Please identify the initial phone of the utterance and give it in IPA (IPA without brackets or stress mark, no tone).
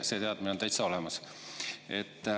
s